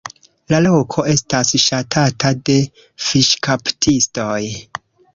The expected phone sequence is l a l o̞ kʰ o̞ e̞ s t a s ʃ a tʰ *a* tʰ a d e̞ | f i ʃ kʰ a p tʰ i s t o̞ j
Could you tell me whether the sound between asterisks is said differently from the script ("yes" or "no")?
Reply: no